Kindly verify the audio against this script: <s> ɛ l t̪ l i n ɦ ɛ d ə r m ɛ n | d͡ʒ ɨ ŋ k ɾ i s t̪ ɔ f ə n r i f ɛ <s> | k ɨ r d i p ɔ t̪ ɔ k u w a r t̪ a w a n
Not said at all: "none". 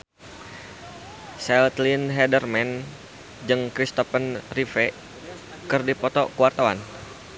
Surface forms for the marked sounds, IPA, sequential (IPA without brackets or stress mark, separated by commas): s, none